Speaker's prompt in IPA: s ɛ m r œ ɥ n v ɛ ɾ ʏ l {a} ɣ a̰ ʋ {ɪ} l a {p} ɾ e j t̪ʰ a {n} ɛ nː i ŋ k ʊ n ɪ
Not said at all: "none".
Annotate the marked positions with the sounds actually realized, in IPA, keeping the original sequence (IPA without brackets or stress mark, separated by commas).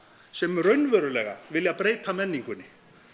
ɛ, ɪ, p, m